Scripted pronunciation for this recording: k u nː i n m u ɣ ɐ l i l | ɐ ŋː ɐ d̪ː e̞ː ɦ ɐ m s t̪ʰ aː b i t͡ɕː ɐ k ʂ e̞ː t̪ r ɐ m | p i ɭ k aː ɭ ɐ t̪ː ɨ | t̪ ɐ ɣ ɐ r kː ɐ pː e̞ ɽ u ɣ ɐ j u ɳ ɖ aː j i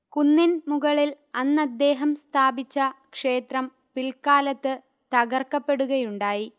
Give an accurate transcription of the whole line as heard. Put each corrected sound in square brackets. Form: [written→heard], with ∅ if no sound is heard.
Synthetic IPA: k u nː i n m u ɣ ɐ [l→ɭ] i l | ɐ [ŋː→nː] ɐ d̪ː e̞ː ɦ ɐ m s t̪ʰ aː b i t͡ɕː ɐ k ʂ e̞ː t̪ r ɐ m | p i [ɭ→l] k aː [ɭ→l] ɐ t̪ː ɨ | t̪ ɐ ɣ ɐ r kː ɐ pː e̞ ɽ u ɣ ɐ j u ɳ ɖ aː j i